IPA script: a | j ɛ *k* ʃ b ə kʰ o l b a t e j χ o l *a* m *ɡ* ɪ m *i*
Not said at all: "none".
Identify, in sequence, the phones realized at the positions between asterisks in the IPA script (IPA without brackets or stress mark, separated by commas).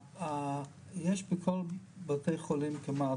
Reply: none, i, k, a